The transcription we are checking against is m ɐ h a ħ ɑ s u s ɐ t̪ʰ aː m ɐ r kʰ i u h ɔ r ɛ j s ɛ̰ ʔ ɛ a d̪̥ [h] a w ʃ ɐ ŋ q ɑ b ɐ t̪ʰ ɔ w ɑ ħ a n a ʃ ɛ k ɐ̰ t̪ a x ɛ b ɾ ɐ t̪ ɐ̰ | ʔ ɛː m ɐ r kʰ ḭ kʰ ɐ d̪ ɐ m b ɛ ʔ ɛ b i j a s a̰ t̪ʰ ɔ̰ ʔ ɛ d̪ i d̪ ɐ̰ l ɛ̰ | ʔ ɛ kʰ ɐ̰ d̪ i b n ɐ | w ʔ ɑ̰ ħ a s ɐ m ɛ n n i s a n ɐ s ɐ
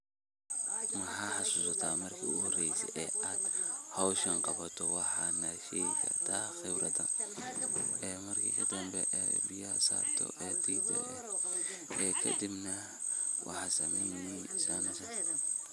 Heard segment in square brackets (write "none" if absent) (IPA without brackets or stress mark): h